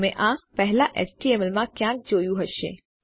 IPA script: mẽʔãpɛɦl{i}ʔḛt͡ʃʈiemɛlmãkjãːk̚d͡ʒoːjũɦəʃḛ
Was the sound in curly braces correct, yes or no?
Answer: no